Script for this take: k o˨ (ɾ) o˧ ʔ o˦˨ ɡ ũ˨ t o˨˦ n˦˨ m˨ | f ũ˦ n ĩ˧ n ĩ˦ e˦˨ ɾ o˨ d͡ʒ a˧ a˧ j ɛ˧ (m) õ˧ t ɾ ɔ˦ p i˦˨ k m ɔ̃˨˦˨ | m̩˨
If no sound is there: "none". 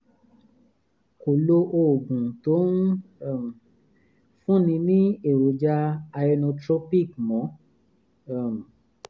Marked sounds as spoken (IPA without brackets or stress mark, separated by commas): l, n